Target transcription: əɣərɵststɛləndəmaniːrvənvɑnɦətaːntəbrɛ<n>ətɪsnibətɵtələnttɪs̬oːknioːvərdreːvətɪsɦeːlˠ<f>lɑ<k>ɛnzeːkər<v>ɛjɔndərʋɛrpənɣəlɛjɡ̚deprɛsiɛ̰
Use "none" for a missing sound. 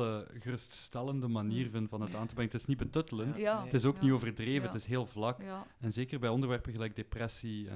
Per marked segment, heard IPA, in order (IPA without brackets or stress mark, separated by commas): ŋ, v, k, b